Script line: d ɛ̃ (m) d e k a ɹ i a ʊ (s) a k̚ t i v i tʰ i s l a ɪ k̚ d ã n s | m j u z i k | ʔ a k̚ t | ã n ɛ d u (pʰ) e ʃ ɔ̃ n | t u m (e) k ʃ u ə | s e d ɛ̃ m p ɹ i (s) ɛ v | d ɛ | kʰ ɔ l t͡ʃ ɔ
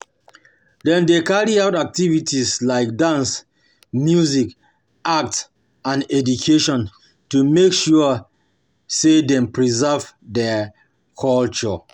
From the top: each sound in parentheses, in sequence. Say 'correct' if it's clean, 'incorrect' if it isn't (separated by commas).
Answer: incorrect, incorrect, incorrect, correct, incorrect